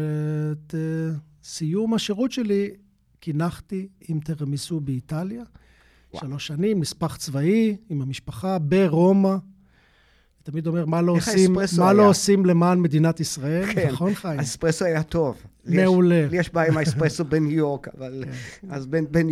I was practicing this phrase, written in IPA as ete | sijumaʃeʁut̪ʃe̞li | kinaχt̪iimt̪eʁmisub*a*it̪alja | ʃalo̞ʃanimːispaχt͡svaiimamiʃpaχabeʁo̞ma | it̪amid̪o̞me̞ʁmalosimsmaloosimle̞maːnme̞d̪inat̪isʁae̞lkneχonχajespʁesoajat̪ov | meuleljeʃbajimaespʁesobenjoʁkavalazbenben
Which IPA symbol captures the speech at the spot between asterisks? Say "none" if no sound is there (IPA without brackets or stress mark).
e